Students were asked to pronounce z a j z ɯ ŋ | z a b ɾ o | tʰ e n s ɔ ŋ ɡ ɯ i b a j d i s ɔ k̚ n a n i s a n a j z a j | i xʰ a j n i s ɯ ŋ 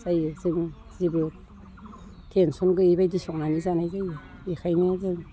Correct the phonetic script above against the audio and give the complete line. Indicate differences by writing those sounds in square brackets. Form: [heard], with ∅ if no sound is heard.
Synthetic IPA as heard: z a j z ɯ ŋ | z [i] b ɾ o | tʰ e n s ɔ [n] ɡ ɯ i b a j d i s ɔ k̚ n a n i [z] a n a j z a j | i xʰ a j n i [z] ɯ ŋ